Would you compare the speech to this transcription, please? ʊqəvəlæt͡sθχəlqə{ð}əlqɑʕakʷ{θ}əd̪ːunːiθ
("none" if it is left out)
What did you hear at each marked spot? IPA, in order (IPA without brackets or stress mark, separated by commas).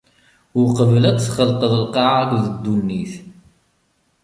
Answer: ð, ð